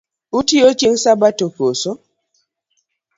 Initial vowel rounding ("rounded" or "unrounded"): rounded